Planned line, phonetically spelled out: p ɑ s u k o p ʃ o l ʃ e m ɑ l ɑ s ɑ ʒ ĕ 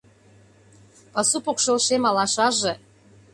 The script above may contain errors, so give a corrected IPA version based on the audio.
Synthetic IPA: p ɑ s u p o k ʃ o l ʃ e m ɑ l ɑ ʃ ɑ ʒ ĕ